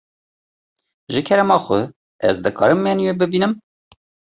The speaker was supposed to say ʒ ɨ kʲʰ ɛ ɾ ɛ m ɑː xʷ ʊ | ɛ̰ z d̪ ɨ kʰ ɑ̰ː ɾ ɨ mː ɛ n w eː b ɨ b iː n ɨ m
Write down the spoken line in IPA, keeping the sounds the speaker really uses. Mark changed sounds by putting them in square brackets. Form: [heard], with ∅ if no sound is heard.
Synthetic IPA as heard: ʒ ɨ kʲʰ ɛ ɾ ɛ m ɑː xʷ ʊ | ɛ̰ z d̪ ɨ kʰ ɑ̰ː ɾ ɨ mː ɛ n w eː b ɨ b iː n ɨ m